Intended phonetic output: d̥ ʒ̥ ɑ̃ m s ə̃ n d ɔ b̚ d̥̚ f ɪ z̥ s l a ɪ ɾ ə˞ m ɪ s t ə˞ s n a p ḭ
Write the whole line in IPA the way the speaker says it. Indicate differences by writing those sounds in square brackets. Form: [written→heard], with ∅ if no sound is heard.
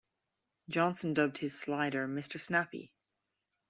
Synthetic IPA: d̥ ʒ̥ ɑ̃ [m→n] s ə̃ n d [ɔ→ʌ] b̚ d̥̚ [f→h] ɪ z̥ s l a ɪ ɾ ə˞ m ɪ s t ə˞ s n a p ḭ